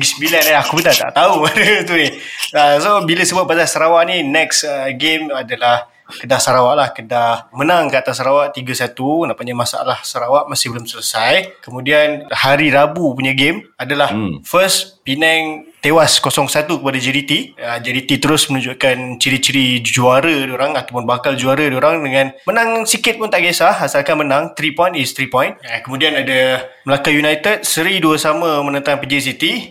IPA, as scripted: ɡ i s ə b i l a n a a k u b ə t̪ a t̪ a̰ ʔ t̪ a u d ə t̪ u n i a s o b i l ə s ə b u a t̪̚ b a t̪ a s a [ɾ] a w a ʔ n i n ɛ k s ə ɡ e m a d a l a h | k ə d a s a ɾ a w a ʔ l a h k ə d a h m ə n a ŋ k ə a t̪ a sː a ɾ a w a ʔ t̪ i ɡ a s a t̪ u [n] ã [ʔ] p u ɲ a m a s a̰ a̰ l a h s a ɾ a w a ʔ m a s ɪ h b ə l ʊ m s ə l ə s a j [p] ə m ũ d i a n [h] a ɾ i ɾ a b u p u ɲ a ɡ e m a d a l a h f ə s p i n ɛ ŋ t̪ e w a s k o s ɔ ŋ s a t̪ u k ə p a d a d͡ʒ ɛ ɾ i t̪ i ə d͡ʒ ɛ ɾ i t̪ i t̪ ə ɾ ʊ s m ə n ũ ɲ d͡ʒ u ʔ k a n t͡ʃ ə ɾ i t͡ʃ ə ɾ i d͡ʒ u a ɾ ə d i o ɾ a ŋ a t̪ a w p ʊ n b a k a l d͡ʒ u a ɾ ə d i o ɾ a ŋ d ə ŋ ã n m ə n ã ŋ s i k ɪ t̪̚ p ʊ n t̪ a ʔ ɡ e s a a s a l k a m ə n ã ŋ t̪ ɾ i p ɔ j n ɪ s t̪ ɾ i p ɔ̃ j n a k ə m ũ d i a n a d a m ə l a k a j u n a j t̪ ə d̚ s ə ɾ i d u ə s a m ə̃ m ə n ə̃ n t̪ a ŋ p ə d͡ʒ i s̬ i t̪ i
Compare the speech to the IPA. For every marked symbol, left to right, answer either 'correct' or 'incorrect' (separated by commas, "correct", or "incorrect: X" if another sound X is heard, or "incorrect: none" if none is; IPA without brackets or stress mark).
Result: correct, correct, correct, incorrect: k, correct